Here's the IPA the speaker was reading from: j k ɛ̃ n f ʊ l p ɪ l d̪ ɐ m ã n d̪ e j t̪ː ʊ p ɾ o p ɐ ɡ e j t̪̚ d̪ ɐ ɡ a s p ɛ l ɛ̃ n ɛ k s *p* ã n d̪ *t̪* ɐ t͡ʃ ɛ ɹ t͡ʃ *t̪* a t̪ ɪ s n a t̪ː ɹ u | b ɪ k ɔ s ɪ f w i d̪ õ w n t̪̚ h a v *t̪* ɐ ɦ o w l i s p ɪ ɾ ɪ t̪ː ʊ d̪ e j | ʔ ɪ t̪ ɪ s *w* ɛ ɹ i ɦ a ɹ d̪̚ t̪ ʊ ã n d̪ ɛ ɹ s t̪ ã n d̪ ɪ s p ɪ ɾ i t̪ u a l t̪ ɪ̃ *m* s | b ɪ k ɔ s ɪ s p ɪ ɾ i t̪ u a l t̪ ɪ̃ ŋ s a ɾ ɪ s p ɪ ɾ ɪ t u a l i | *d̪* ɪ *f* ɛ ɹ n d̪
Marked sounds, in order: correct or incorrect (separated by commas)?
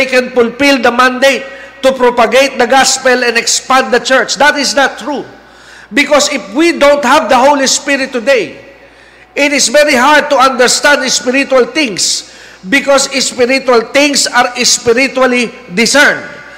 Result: correct, incorrect, incorrect, incorrect, incorrect, incorrect, correct, incorrect